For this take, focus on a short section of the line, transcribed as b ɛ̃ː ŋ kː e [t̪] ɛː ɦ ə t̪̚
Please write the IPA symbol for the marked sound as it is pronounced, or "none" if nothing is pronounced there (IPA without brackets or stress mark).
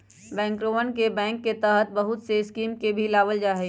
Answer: t̪